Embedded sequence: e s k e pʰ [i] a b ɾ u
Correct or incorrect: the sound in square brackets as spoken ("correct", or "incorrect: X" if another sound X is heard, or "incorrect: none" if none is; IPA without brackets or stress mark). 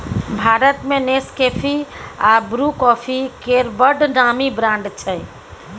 correct